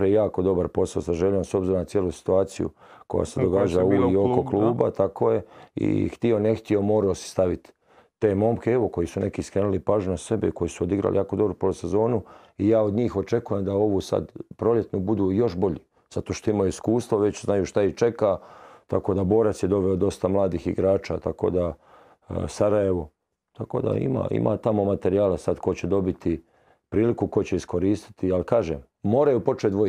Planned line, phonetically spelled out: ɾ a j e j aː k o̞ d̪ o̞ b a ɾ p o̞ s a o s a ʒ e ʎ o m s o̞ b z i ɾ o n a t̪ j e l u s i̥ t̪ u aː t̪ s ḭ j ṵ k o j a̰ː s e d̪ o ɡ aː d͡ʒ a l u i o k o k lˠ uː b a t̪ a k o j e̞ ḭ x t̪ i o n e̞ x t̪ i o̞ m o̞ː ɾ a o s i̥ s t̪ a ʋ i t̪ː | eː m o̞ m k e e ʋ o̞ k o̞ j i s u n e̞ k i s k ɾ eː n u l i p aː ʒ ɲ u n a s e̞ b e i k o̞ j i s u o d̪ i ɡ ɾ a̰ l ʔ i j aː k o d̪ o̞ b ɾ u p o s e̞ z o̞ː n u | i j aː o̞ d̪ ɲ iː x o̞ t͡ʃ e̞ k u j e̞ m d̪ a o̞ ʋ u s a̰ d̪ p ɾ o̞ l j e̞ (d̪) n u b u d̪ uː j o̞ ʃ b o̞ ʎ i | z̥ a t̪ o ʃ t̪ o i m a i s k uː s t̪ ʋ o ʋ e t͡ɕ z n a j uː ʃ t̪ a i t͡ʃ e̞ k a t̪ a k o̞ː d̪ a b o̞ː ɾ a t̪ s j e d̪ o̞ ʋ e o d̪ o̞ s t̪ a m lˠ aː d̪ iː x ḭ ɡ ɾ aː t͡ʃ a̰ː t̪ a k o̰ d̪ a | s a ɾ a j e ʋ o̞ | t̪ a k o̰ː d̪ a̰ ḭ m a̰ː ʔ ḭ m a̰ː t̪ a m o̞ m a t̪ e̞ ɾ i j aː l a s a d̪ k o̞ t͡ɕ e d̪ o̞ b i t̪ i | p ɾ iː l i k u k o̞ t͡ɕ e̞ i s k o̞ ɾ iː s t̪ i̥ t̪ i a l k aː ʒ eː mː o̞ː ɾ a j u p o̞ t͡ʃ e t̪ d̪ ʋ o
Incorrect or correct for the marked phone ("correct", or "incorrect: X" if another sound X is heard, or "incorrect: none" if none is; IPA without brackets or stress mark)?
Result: incorrect: t̪